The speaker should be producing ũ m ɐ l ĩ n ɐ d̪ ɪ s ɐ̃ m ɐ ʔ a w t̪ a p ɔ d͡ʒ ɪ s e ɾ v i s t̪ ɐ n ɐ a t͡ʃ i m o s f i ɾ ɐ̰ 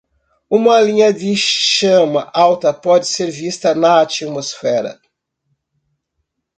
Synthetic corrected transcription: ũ m ɐ l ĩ ɲ ɐ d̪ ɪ ʃ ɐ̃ m ɐ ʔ a w t̪ ɐ p ɔ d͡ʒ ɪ s e ɾ v i s t̪ ɐ n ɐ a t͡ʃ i m o s f ɛ ɾ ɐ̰

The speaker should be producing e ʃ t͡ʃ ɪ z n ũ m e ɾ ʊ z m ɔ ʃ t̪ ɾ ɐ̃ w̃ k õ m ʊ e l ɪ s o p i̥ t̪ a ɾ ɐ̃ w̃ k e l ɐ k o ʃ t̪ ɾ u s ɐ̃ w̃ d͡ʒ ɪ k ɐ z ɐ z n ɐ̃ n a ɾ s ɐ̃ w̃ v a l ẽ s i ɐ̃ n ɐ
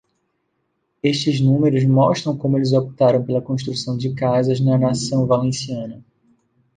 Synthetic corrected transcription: e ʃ t͡ʃ ɪ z n ũ m e ɾ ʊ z m ɔ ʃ t̪ ɾ ɐ̃ w̃ k õ m ʊ e l ɪ z o p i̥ t̪ a ɾ ɐ̃ w̃ p e l ɐ k õ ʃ t̪ ɾ u s ɐ̃ w̃ d͡ʒ ɪ k a z ɐ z n ɐ n a s ɐ̃ w̃ v a l ẽ s i ɐ̃ n ɐ

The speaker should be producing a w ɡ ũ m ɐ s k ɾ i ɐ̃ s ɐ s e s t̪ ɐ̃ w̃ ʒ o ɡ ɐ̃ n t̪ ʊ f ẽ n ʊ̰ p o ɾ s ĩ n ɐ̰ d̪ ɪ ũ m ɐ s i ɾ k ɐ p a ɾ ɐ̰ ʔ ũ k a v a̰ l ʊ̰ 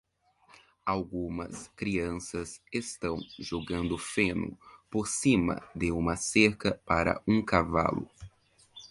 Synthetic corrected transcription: a w ɡ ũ m ɐ s k ɾ i ɐ̃ s ɐ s e s t̪ ɐ̃ w̃ ʒ o ɡ ɐ̃ n d̪ ʊ f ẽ n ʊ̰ p o ɾ s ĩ m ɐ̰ d̪ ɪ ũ m ɐ s e ɾ k ɐ p a ɾ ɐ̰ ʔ ũ k a v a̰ l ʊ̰

